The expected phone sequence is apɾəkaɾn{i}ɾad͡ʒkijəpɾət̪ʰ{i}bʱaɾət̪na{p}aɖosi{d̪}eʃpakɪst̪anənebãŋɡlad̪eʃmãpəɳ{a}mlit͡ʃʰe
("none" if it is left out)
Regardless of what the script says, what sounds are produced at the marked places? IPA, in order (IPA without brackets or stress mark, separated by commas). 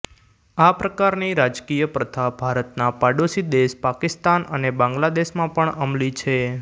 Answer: i, a, p, d̪, ə